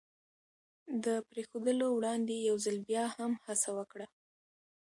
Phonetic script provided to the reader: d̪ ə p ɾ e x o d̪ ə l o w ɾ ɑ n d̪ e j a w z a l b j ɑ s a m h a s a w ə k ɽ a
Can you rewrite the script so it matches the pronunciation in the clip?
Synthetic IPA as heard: d̪ ə p ɾ e x o d̪ ə l o w ɽ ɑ n d̪ e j a w z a l b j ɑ h a m h a s a w ə k ɽ a